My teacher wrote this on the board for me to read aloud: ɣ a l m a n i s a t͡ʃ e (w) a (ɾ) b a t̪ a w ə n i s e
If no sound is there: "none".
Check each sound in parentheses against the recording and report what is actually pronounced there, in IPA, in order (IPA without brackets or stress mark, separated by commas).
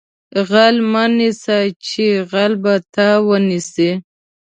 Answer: ɣ, l